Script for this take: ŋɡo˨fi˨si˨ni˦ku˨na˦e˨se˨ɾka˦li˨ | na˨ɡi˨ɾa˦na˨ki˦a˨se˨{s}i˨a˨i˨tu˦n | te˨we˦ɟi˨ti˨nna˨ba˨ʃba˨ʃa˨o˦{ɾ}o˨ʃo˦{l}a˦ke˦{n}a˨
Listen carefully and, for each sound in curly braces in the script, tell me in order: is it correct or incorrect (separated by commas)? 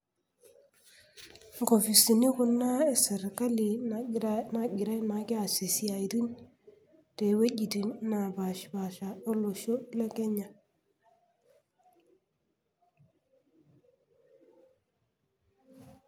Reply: correct, incorrect, correct, incorrect